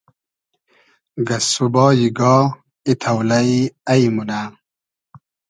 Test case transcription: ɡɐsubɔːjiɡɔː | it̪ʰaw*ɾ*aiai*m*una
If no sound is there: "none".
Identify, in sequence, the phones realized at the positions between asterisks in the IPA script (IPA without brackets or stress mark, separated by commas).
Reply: l, m